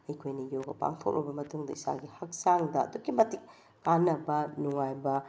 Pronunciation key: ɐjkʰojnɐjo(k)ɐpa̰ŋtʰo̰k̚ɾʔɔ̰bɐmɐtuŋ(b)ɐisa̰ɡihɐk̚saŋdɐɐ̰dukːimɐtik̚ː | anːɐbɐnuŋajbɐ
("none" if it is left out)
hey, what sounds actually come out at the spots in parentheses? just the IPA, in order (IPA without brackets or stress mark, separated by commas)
ɡ, d